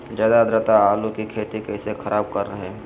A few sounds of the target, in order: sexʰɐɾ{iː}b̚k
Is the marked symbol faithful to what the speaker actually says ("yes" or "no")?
no